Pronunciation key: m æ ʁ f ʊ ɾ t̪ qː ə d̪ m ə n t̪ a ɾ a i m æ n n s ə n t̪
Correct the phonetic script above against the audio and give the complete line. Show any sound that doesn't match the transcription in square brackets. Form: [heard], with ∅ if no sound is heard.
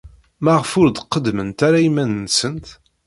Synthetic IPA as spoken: m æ ʁ f ʊ ɾ [d̪] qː ə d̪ m ə n t̪ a ɾ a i m æ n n s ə n t̪

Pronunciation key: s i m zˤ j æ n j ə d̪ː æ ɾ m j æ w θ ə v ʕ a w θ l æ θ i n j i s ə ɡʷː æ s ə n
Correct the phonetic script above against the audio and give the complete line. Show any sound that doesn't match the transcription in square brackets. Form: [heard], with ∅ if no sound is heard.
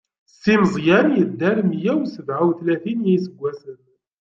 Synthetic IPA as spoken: s i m zˤ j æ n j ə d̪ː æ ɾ m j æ w [s] ə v ʕ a w θ l æ θ i n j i s ə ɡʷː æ s ə n

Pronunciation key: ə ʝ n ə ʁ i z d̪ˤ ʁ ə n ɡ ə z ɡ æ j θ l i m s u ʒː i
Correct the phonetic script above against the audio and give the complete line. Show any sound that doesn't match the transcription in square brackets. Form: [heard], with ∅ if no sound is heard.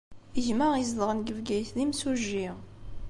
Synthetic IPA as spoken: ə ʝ [m] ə ʁ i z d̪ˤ ʁ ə n ɡ ə [v] ɡ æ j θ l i m s u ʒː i

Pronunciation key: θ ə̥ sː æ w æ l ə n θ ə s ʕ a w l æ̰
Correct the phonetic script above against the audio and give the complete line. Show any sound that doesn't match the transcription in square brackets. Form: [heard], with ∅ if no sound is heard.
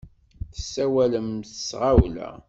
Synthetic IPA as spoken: θ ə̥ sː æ w æ l ə [m] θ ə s [ʁ] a w l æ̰

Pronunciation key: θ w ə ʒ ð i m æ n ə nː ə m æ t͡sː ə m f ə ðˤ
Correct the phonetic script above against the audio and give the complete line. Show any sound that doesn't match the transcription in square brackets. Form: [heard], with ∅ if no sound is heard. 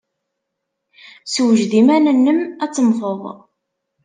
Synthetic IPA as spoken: [s] w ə ʒ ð i m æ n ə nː ə m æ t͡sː ə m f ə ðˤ

